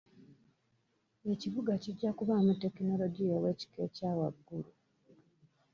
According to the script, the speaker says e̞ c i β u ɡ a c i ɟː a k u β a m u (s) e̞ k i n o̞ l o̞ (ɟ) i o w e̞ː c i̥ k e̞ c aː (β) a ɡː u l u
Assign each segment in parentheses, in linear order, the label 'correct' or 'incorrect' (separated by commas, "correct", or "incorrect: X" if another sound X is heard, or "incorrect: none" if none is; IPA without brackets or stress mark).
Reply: incorrect: t, correct, incorrect: w